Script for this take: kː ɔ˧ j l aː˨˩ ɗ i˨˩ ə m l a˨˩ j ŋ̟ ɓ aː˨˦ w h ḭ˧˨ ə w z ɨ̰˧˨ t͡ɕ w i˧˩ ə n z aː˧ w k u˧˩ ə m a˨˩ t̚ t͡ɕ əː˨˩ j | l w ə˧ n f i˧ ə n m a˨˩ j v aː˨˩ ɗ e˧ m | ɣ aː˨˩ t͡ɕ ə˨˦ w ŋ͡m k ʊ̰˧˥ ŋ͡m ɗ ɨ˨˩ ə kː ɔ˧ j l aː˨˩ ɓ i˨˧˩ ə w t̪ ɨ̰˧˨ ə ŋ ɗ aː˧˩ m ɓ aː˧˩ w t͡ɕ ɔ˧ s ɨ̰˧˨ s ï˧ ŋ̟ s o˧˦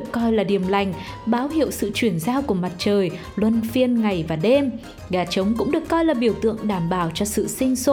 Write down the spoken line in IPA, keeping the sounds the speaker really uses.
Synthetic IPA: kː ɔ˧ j l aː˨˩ ɗ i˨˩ ə m l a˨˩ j ŋ̟ ɓ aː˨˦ w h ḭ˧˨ ə w s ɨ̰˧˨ t͡ɕ w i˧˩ ə n z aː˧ w k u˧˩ ə m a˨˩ t̚ t͡ɕ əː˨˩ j | l w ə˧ n f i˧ ə n ŋ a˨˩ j v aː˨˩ ɗ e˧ m | ɣ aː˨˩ t͡ɕ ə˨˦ w ŋ͡m k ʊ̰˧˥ ŋ͡m ɗ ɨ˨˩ ə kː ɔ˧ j l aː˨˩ ɓ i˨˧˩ ə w t̪ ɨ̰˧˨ ə ŋ ɗ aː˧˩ m ɓ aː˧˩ w t͡ɕ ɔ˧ s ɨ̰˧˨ s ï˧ ŋ̟ s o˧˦